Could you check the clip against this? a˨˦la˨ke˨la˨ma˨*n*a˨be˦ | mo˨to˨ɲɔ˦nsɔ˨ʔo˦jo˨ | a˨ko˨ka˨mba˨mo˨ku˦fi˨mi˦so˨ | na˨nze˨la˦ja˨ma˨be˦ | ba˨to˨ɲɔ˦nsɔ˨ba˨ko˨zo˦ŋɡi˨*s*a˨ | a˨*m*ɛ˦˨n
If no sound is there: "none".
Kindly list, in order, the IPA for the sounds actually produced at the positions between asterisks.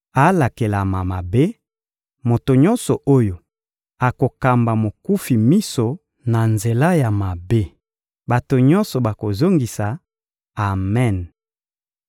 m, s, m

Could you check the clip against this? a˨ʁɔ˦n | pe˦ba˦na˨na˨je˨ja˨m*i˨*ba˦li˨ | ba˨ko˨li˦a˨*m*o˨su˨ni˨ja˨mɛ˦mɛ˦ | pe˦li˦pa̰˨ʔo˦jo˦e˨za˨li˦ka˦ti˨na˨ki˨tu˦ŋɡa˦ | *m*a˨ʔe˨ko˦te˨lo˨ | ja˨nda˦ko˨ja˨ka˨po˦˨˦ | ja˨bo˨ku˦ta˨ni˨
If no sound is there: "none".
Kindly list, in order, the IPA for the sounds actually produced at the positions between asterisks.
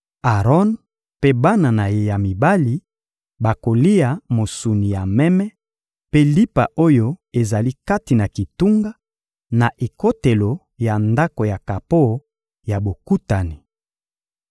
i˨, m, n

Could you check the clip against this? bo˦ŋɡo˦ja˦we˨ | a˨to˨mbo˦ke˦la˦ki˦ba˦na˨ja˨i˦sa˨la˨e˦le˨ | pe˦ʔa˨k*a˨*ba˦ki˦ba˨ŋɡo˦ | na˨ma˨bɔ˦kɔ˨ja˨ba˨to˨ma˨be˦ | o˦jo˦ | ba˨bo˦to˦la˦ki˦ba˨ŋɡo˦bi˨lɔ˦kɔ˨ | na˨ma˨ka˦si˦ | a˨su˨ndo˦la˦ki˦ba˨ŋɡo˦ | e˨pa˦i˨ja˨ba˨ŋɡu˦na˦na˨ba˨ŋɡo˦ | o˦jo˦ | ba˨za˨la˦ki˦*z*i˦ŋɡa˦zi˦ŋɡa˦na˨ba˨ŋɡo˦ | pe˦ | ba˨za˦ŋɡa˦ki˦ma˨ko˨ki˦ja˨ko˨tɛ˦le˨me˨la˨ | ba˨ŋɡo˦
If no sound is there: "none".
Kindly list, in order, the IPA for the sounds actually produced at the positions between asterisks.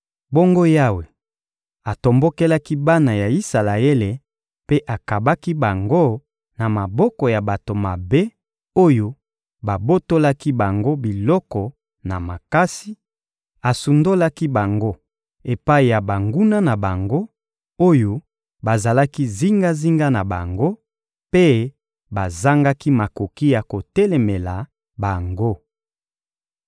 a˨, z

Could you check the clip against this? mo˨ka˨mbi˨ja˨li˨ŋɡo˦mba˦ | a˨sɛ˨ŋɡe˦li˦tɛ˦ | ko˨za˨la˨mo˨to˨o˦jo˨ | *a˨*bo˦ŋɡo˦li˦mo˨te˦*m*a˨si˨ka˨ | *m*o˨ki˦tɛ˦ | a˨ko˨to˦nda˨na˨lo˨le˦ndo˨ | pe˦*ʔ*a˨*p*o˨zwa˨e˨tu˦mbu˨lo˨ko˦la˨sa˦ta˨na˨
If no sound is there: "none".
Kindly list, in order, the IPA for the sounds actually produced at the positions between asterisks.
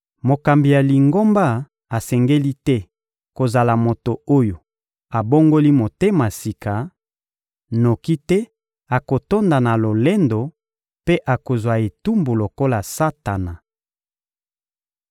a˨, m, n, ʔ, k

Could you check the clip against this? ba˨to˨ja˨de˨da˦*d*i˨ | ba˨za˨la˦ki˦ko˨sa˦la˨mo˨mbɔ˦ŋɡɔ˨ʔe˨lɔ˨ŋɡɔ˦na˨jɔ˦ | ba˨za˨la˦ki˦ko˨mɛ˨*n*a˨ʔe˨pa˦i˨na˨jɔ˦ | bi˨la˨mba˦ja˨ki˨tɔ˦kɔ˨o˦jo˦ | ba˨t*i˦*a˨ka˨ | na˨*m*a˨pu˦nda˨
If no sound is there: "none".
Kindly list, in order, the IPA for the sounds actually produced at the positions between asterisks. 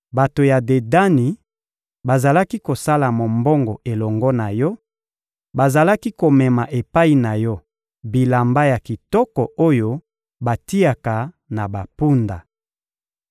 n, m, i˦, b

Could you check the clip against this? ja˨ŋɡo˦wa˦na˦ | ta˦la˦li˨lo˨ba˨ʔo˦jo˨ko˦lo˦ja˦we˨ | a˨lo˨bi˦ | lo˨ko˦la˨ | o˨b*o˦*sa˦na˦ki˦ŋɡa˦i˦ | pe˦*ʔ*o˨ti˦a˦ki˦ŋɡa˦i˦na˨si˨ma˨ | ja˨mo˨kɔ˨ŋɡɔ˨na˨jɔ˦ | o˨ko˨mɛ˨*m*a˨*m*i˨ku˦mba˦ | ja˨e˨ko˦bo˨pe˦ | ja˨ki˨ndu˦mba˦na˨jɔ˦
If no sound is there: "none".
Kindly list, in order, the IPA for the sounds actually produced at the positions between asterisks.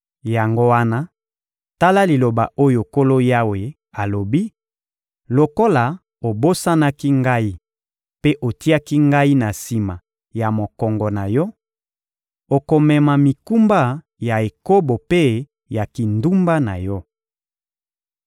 o˦, ʔ, m, m

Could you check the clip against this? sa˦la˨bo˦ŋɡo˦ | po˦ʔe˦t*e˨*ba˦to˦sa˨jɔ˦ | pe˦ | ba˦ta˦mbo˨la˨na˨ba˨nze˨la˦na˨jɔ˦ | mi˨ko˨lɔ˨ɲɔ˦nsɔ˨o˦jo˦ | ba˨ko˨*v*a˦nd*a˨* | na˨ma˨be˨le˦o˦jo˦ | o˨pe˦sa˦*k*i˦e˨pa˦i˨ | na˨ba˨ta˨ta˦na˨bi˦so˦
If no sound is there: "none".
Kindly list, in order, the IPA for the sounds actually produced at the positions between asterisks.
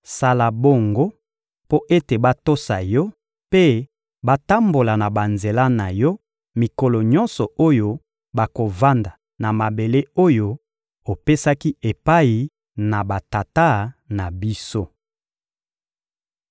e˨, v, a˨, k

